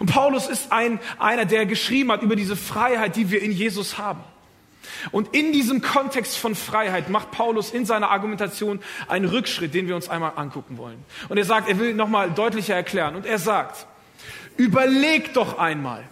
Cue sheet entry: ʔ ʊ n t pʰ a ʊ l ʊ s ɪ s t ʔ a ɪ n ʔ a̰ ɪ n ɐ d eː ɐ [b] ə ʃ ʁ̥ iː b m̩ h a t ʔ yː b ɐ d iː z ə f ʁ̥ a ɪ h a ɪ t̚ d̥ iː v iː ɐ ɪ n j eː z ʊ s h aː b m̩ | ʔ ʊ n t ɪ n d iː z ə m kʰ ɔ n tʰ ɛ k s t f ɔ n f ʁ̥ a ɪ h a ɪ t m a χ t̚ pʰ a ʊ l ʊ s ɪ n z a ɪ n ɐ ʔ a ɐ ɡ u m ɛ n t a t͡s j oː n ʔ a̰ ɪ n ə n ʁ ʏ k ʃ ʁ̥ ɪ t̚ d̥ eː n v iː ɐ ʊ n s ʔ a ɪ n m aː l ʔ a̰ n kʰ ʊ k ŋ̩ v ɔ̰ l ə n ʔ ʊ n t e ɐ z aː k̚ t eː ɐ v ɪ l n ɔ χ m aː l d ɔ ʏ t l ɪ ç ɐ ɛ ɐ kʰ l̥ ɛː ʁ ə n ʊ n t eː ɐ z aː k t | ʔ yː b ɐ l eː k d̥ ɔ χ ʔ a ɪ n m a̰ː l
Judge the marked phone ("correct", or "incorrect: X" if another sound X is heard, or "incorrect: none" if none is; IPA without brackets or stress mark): incorrect: ɡ